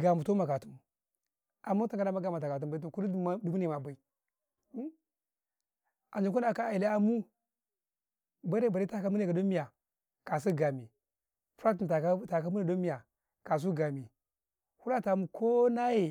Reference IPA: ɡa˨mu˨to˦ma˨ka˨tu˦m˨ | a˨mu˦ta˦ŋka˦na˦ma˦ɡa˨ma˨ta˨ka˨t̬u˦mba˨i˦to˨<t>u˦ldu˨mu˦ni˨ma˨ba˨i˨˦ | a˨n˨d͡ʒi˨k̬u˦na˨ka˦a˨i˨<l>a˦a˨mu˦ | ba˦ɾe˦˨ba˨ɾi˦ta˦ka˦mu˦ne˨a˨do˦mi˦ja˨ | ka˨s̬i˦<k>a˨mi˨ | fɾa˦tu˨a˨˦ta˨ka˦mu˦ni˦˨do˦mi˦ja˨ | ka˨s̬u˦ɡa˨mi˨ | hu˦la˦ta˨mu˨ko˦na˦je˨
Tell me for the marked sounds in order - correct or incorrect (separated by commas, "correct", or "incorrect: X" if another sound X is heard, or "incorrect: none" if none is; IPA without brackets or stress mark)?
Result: incorrect: k, correct, incorrect: ɡ